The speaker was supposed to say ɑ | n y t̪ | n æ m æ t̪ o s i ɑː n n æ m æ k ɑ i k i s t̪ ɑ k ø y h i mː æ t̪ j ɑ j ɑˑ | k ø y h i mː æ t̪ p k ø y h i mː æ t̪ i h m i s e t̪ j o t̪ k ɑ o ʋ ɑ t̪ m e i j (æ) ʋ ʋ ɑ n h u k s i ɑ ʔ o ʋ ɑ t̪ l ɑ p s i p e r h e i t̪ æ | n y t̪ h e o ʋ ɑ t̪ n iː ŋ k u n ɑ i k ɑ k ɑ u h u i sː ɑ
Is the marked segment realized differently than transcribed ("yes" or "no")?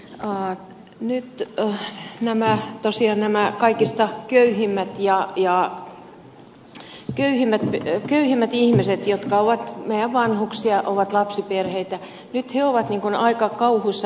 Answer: no